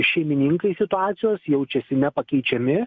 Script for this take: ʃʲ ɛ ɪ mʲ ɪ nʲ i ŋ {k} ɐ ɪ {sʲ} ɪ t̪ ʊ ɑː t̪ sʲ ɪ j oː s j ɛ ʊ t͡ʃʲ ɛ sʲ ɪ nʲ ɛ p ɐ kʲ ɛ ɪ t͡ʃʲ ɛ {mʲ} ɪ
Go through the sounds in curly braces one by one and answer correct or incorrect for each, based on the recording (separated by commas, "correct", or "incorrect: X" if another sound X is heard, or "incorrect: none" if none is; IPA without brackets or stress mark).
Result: correct, correct, correct